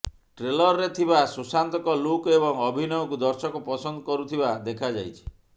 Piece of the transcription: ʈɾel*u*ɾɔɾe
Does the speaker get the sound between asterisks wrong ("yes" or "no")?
yes